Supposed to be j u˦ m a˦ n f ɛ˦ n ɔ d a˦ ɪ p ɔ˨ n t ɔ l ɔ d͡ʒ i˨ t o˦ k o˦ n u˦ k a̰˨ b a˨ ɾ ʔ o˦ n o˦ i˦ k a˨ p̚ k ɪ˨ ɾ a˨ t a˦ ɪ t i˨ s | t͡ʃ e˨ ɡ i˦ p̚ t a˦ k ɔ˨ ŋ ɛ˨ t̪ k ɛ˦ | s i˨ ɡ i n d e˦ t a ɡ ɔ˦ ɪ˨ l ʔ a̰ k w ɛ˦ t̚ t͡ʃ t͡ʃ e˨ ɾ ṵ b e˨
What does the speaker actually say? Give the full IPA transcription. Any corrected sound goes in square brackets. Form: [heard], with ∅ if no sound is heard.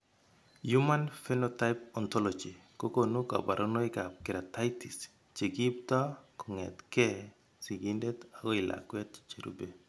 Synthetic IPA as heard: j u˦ m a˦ n f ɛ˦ n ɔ [t] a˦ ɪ p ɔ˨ n t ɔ l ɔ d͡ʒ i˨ [k] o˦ k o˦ n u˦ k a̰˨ b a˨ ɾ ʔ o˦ n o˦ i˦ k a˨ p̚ k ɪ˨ ɾ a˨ t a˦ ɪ t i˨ s | t͡ʃ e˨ ɡ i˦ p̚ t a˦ k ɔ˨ ŋ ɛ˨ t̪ k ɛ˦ | s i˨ ɡ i n d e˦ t a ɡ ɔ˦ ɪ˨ l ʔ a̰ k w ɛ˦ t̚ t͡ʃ t͡ʃ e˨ ɾ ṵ b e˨